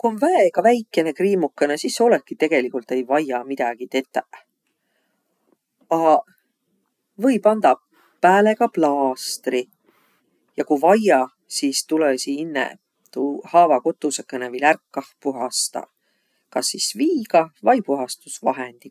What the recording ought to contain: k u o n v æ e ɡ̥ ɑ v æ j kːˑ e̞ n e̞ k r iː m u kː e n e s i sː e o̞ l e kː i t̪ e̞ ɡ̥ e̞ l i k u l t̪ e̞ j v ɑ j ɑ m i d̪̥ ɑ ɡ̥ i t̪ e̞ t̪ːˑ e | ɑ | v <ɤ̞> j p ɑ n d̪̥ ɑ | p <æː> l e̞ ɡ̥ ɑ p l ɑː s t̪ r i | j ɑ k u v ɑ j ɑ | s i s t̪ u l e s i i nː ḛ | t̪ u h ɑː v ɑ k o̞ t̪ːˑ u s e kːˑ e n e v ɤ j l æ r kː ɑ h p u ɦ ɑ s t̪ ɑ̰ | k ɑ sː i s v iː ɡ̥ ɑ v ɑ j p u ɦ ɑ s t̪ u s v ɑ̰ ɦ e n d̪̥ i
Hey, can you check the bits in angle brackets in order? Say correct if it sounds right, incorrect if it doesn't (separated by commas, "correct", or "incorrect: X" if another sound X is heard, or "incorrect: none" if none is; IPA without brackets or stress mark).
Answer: correct, correct